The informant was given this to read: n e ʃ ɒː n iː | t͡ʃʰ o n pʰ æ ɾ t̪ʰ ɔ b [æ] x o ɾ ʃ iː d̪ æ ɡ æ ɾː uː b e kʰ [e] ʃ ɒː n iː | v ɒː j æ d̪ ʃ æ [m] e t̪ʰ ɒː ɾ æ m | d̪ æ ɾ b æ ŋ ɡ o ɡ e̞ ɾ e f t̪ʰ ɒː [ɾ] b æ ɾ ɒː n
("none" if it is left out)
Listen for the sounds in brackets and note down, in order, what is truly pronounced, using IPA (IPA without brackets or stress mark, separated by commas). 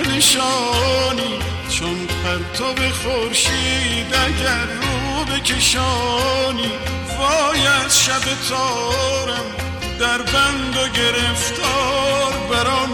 e, e, b, ɾ